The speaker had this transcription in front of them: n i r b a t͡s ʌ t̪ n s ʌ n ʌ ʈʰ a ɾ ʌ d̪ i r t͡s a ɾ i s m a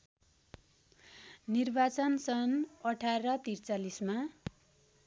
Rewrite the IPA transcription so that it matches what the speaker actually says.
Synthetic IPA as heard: n i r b a t͡s ʌ n s ʌ n ʌ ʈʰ a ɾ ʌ t̪ i r t͡s a l i s m a